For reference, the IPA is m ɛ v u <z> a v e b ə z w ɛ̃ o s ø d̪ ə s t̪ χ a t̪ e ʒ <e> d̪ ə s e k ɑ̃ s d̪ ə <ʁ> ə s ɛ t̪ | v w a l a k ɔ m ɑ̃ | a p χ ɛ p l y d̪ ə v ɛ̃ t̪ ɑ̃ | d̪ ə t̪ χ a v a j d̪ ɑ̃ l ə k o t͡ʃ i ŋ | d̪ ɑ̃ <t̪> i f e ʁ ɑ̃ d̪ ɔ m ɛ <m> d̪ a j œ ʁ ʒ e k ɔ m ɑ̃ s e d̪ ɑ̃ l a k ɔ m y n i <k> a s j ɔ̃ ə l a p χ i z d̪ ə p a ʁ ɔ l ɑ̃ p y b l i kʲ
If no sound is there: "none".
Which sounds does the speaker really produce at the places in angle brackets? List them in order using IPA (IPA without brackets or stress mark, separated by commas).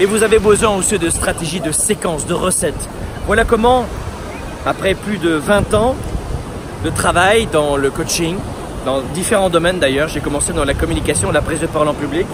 z, i, ʁ, d̪, n, k